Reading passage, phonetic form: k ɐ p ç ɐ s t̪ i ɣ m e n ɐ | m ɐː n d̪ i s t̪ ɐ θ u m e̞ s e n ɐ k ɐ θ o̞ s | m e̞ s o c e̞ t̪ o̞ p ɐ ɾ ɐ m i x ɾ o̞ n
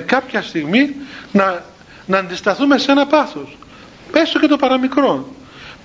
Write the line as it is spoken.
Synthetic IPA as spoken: k ɐ p ç ɐ s t̪ i ɣ m i n ɐ | n ɐː n d̪ i s t̪ ɐ θ u m e̞ s e n ɐ p ɐ θ o̞ s | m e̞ s o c e̞ t̪ o̞ p ɐ ɾ ɐ m i k ɾ o̞ n